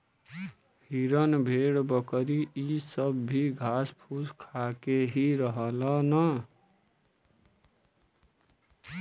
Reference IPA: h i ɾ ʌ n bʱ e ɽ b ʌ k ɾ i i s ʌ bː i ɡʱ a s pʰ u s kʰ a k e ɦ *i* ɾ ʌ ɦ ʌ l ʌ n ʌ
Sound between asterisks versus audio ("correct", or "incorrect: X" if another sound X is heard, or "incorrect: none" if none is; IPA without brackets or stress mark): correct